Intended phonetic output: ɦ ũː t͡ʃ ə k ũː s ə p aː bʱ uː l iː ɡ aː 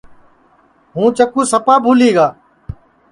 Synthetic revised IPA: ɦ ũː t͡ʃ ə k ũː s ə p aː bʱ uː l iː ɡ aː